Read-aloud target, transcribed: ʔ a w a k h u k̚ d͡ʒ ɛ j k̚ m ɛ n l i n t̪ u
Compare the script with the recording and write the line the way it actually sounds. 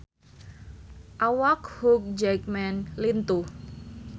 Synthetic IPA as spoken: ʔ a w a k h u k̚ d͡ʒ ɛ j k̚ m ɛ n l i n t̪ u